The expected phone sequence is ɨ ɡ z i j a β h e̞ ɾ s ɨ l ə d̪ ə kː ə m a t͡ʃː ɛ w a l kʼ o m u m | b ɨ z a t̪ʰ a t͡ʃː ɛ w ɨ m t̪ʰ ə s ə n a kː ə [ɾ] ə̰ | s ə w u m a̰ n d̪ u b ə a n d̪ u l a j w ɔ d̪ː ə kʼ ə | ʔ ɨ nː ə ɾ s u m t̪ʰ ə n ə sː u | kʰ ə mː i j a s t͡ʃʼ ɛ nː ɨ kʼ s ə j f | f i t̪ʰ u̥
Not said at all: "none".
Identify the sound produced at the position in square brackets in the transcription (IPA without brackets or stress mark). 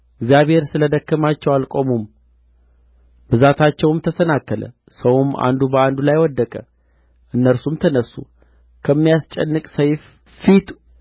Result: l